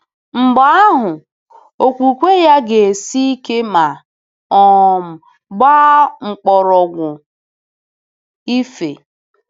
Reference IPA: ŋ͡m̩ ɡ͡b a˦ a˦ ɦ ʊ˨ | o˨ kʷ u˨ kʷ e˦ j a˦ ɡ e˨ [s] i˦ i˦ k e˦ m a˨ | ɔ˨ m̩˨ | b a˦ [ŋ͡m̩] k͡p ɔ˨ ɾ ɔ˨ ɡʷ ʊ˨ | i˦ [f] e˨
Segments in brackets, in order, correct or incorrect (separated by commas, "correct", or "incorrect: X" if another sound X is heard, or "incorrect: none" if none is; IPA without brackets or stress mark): correct, correct, correct